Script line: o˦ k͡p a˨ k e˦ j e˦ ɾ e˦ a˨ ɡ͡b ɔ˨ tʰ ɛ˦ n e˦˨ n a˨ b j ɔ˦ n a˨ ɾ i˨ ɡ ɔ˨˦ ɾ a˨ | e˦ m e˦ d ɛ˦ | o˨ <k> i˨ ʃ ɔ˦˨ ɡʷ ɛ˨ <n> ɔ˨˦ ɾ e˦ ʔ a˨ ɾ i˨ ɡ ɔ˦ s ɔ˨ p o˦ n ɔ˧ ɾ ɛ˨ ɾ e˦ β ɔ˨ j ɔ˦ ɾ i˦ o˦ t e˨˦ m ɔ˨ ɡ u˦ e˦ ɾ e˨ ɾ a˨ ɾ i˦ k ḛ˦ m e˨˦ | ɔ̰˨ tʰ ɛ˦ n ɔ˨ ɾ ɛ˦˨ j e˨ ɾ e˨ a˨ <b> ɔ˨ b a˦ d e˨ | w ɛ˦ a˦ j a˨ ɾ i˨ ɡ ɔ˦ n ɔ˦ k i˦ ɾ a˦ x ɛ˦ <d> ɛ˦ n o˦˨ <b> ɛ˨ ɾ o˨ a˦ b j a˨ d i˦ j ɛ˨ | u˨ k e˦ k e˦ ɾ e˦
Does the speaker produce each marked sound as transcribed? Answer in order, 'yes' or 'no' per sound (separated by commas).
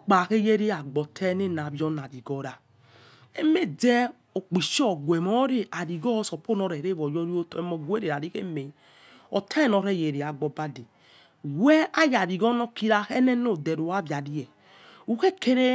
no, no, no, no, no